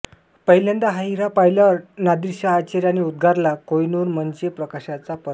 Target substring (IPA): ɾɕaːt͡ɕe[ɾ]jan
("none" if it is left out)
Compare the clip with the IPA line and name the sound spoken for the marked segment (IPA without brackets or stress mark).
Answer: ɾ